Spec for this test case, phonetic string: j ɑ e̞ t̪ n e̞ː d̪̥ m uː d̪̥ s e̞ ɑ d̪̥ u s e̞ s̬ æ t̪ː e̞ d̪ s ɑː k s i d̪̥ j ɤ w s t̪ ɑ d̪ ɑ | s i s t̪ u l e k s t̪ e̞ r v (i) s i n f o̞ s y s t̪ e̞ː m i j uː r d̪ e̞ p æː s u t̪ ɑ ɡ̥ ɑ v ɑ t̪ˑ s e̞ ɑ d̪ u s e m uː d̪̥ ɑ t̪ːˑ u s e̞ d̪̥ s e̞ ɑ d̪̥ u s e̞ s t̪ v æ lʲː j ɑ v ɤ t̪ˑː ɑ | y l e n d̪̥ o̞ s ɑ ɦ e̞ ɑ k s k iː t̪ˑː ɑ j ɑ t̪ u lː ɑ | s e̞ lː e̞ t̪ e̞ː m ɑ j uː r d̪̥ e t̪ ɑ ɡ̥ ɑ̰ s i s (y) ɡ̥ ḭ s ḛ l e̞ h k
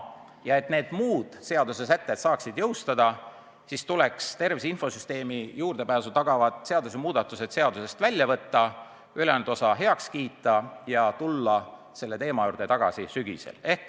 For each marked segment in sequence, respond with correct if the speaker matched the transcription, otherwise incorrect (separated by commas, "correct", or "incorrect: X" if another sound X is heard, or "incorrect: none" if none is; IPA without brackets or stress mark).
correct, correct